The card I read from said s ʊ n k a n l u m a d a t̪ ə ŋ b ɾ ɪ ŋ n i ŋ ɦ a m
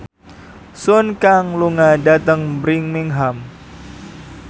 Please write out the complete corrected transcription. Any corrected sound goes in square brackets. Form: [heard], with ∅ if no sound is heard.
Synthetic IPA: s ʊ n k a [ŋ] l u [ŋ] a d a t̪ ə ŋ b ɾ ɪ ŋ [m] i ŋ ɦ a m